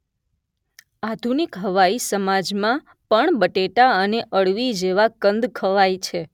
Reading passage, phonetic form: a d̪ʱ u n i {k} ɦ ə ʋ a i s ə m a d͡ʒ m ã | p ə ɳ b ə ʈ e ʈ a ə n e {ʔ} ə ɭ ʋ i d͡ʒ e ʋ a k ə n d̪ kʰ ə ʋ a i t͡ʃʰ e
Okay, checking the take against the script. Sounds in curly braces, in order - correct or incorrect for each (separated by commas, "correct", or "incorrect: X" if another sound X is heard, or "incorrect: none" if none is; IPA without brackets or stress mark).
correct, correct